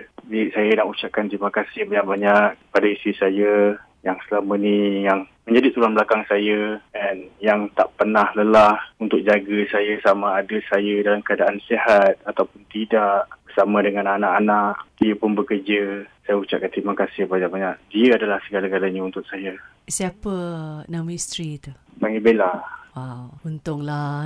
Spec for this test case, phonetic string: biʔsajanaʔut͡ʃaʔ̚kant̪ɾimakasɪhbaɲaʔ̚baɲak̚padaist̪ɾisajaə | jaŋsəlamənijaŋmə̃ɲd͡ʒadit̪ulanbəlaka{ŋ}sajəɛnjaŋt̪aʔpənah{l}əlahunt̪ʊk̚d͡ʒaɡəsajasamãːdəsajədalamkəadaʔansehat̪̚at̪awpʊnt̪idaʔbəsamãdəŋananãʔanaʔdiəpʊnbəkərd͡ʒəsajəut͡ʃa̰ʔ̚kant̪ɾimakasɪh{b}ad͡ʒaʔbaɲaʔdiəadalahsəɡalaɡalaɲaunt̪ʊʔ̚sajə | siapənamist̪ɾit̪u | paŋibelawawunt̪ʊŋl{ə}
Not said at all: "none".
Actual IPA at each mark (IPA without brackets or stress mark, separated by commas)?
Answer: ŋ, l, b, a